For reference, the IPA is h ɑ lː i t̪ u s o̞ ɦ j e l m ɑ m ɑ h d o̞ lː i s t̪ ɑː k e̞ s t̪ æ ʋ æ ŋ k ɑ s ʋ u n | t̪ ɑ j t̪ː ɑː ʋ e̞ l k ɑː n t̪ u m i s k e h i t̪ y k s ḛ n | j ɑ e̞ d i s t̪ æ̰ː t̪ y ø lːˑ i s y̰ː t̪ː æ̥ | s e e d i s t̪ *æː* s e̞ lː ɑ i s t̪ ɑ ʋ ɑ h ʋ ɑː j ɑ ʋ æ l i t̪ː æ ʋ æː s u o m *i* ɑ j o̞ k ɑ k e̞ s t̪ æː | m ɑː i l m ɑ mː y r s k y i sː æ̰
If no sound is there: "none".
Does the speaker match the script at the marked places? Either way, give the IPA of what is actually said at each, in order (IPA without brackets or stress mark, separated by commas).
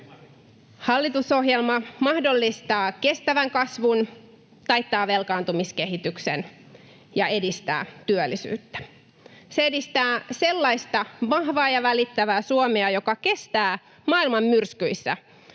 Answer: æː, e